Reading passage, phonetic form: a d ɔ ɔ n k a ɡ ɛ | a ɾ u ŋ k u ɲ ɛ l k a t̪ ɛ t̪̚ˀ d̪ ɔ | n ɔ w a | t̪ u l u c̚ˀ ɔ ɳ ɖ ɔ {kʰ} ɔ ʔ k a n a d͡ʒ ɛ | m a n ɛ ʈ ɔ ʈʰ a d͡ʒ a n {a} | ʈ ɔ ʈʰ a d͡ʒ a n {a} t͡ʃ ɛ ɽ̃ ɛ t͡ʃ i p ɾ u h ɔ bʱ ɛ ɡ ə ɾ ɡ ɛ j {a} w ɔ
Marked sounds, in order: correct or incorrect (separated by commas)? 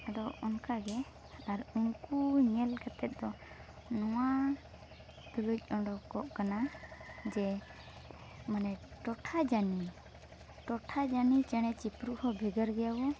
incorrect, incorrect, incorrect, correct